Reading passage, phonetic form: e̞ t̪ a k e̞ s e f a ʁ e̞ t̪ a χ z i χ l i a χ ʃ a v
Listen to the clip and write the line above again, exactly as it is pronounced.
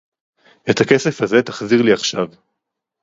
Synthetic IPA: e̞ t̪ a k e̞ s e f a z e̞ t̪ a χ z i ʁ l i a χ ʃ a v